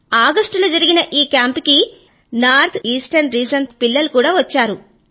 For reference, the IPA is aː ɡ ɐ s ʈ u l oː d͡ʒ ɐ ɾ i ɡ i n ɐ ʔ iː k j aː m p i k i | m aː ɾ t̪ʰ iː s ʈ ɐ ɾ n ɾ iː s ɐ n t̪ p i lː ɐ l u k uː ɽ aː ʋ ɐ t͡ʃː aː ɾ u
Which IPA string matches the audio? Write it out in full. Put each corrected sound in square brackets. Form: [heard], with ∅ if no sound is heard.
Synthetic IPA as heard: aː ɡ ɐ s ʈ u l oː d͡ʒ ɐ ɾ i ɡ i n ɐ ʔ iː k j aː m p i k i | [n] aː ɾ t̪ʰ iː s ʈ ɐ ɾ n ɾ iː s ɐ n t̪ p i lː ɐ l u k uː ɽ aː ʋ ɐ t͡ʃː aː ɾ u